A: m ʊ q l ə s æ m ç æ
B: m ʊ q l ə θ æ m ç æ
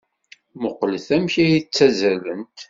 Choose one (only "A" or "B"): B